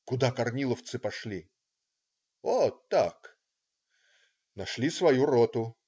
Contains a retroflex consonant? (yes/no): yes